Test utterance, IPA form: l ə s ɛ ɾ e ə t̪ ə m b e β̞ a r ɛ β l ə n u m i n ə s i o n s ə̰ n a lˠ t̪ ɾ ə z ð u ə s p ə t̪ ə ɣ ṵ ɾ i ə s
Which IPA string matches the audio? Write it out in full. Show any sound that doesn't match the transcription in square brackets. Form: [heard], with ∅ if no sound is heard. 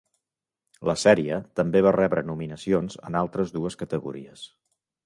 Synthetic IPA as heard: l ə s ɛ ɾ [i] ə t̪ ə m b e β̞ a r ɛ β [ɾ] ə n u m i n ə s i o n [z] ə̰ n a lˠ t̪ ɾ ə z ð u ə s [k] ə t̪ ə ɣ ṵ ɾ i ə s